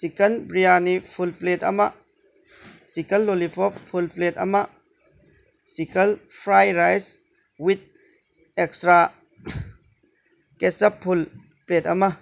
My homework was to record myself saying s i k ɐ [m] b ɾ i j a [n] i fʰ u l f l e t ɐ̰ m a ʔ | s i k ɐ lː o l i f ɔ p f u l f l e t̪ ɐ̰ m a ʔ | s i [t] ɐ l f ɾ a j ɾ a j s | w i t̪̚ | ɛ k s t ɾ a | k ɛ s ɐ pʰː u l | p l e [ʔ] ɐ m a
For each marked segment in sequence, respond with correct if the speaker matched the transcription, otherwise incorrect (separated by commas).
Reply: incorrect, correct, incorrect, incorrect